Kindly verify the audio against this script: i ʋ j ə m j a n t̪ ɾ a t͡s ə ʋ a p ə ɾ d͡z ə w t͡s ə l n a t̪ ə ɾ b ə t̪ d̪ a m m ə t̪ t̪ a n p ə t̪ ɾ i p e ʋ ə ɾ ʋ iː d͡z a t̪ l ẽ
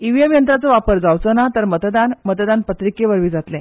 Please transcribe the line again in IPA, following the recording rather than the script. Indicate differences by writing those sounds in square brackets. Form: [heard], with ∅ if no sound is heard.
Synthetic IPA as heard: i ʋ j ə m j [ə] n t̪ ɾ a t͡s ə ʋ a p ə ɾ d͡z [a] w t͡s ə [∅] n a t̪ ə ɾ [m] ə t̪ d̪ a [n] m ə t̪ [d̪] a n p ə t̪ ɾ i [k] e ʋ ə ɾ ʋ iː d͡z a t̪ l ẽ